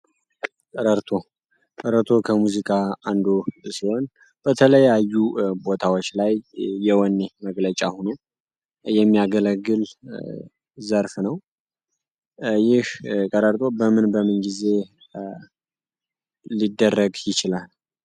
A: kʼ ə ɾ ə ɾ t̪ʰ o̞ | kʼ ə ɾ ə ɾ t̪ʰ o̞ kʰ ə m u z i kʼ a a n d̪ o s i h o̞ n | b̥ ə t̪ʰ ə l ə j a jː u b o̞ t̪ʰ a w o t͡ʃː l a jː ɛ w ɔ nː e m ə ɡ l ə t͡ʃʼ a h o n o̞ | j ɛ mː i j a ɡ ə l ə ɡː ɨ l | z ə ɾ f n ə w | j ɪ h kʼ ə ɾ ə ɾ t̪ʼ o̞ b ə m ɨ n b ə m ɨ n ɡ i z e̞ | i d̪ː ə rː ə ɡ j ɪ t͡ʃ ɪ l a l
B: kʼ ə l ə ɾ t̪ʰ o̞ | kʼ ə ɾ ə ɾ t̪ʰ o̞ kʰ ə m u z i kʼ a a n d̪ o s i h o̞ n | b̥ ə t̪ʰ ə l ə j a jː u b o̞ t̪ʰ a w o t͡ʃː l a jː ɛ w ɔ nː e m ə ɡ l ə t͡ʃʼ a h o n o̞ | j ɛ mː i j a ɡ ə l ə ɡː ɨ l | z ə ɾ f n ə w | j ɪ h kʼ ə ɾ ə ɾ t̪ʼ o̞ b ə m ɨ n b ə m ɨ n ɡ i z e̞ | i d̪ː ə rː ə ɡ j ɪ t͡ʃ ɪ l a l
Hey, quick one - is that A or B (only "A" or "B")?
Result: A